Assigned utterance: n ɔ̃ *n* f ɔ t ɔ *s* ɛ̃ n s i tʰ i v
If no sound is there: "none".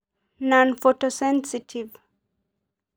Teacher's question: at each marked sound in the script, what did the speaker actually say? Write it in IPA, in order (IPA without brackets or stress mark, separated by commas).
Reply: n, s